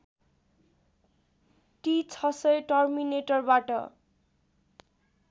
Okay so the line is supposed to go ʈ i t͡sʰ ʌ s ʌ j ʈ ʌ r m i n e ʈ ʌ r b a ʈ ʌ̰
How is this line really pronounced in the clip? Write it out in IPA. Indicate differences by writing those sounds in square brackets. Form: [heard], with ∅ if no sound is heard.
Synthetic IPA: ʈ i t͡sʰ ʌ s ʌ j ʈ ʌ r m i n e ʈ ʌ r b a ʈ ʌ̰